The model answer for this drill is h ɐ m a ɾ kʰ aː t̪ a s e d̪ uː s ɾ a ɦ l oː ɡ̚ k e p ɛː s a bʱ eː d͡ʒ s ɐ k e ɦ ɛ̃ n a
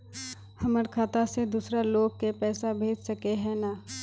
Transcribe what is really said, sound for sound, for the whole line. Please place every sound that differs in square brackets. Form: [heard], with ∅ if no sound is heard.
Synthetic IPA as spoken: h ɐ m [ə] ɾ kʰ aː t̪ a s e d̪ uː s ɾ a [∅] l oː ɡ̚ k e p ɛː s a bʱ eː d͡ʒ s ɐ k e ɦ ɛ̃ n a